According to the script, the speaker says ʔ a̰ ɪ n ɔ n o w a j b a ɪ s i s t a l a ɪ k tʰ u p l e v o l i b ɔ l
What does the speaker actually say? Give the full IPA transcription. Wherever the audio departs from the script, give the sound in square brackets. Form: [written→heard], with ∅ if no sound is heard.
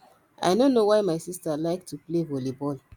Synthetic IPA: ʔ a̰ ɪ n [ɔ→o] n o w a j [b→m] a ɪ s i s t a l a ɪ k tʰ u p l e v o l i b ɔ l